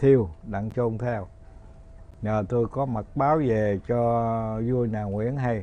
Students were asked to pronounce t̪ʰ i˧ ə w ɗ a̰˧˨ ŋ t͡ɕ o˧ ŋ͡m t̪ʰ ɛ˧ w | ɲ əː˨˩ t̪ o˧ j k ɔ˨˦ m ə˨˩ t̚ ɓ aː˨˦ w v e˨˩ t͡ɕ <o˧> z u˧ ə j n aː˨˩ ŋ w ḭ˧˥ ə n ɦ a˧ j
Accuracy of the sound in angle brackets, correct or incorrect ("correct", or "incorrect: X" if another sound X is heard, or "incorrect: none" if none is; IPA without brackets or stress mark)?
incorrect: ɔ˧